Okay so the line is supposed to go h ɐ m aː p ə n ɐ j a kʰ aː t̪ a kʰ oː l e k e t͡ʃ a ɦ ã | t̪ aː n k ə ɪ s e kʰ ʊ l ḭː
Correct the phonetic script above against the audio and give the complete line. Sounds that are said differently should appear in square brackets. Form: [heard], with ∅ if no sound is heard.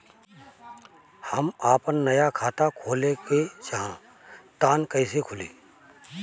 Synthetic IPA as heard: h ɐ m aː p ə [nː] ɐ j a kʰ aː t̪ a kʰ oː l e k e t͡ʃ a ɦ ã | t̪ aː n k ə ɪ s e kʰ ʊ l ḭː